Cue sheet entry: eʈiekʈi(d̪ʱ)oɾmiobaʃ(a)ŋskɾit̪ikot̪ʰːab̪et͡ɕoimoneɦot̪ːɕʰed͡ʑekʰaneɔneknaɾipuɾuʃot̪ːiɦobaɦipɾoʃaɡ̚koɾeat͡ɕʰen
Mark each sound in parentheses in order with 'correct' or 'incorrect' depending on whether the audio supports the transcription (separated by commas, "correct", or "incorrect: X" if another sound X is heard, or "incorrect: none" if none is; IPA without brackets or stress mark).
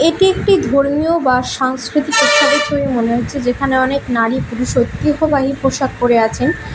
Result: correct, correct